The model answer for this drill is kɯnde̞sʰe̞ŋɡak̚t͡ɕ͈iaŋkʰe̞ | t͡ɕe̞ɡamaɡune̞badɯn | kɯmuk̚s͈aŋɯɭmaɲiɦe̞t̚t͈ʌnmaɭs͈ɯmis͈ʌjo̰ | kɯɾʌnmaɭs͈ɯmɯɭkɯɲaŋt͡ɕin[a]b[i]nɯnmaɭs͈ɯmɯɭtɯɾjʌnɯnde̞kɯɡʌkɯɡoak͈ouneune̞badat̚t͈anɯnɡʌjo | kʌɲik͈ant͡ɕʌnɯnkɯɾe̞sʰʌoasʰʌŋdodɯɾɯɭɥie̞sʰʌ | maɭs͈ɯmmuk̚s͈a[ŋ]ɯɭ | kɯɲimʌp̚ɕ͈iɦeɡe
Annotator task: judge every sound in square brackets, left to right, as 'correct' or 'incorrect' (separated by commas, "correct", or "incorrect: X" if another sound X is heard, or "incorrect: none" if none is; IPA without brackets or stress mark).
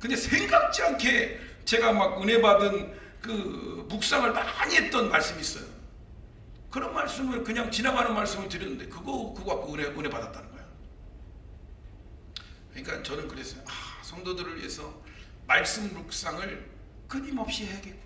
correct, incorrect: a, correct